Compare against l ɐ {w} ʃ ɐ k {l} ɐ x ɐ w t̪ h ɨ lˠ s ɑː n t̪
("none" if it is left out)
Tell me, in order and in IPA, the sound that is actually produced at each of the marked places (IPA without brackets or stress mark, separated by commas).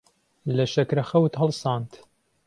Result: none, ɾ